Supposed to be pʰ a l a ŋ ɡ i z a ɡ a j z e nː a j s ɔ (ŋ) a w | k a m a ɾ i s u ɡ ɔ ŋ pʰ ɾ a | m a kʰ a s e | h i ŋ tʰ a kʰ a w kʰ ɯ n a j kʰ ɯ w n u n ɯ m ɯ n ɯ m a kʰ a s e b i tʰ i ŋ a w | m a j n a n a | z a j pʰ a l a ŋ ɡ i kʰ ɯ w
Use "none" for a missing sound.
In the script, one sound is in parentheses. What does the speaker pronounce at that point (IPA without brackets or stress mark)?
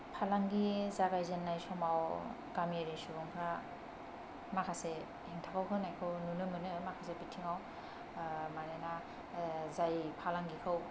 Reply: m